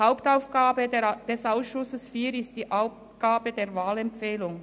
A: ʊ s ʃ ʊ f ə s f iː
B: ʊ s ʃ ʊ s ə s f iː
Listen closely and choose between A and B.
B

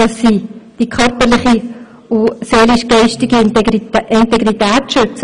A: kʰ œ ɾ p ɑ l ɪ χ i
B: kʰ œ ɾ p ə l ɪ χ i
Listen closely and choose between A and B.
B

